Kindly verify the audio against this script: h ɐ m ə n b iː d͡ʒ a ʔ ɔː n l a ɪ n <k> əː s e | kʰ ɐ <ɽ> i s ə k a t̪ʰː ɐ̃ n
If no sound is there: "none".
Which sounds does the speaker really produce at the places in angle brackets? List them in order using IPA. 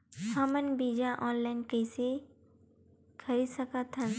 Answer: k, ɾ

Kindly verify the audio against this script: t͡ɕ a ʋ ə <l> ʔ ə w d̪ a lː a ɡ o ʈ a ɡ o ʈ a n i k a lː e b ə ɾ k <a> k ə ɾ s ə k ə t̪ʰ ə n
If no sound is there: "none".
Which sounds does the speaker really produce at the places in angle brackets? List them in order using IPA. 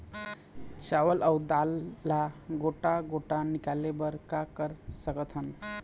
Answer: l, a

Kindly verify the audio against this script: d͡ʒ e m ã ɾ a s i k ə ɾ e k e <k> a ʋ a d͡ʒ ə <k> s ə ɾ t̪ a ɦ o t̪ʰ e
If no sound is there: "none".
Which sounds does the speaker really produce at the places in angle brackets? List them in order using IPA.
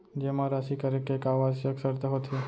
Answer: k, k

